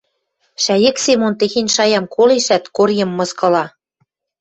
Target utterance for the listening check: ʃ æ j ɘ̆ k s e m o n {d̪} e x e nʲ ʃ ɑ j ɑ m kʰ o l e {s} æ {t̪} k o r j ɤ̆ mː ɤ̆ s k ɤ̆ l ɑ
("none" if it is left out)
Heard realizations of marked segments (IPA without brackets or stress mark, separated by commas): t̪, ʃ, t̪